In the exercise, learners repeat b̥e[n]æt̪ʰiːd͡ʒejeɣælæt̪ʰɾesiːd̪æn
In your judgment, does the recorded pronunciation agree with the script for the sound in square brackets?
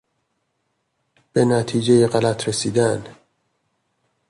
yes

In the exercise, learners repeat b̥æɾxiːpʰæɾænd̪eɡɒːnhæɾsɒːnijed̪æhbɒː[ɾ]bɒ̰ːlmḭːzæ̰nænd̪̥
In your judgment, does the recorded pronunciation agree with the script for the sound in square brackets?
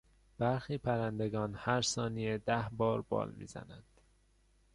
yes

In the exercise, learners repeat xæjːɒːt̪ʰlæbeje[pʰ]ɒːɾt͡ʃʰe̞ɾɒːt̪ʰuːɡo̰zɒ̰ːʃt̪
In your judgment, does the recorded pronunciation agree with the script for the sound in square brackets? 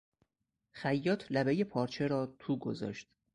yes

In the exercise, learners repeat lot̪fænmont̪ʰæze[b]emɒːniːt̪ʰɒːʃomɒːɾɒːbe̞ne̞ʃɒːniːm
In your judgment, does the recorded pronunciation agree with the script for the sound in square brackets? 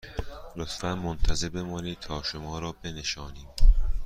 yes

